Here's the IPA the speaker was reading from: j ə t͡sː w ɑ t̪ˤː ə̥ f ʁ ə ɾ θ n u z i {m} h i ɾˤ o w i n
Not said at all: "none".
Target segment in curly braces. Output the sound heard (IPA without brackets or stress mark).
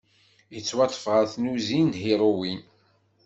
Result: n